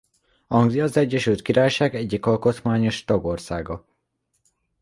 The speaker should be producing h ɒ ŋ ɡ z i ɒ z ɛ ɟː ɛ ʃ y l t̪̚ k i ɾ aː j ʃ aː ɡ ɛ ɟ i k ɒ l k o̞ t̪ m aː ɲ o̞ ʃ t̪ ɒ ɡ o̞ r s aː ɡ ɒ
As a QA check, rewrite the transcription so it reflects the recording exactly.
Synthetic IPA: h ɒ ŋ ɡ z i ɒ z ɛ ɟː ɛ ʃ y l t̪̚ k i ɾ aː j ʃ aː ɡ ɛ ɟː i k ɒ l k o̞ t̪ m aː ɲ o̞ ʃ t̪ ɒ ɡ o̞ r s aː ɡ ɒ